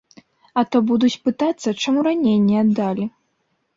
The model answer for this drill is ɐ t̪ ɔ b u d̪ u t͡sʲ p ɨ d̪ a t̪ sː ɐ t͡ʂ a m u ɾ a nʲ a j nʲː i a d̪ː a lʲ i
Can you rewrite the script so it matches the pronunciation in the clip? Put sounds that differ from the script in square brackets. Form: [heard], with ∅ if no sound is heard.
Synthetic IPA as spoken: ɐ t̪ ɔ b u d̪ u t͡sʲ p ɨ [t̪] a t̪ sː ɐ t͡ʂ a m u ɾ a nʲ [e] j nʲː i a d̪ː a lʲ i